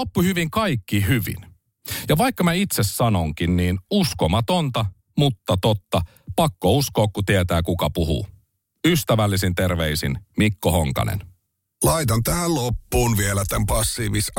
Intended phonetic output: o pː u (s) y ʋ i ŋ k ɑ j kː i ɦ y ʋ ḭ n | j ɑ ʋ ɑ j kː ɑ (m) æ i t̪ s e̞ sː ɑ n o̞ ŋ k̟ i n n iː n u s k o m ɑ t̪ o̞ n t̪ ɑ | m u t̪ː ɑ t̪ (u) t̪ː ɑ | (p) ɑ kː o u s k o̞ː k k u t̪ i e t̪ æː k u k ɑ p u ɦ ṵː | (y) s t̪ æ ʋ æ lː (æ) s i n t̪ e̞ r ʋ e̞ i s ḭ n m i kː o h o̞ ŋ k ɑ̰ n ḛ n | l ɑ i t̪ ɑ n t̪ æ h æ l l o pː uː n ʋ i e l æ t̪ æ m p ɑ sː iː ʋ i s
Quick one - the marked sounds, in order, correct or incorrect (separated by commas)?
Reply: incorrect, correct, incorrect, correct, correct, incorrect